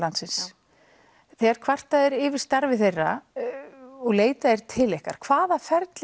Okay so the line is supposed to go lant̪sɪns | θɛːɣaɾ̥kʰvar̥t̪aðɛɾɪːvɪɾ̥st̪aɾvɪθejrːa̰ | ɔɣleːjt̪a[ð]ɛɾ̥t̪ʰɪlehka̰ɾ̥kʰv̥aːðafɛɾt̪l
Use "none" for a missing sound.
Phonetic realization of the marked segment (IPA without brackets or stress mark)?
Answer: ð